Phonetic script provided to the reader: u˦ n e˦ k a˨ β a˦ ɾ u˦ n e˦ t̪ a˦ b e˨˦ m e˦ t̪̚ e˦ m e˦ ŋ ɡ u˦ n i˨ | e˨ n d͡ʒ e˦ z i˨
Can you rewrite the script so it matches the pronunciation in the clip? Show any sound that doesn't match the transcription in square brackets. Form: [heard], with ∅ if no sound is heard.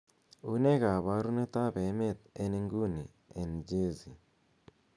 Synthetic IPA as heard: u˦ n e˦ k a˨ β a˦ ɾ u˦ n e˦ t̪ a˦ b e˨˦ m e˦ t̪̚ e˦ [n] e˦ ŋ ɡ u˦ n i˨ | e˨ n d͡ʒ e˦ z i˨